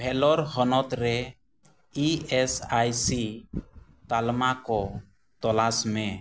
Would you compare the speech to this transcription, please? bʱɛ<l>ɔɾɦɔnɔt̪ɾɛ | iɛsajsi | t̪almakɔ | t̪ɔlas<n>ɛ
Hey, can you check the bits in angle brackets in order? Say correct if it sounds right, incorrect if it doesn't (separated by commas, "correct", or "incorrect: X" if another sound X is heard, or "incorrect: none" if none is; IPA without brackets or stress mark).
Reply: correct, incorrect: m